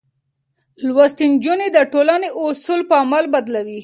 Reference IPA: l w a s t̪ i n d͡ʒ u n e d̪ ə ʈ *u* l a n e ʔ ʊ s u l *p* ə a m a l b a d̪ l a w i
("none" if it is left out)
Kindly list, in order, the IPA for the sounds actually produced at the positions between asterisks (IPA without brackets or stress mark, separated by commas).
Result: o, p